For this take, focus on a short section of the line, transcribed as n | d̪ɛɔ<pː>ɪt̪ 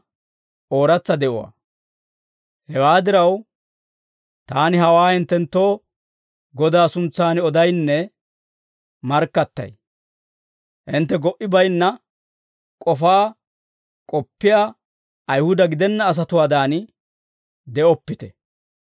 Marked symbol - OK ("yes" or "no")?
yes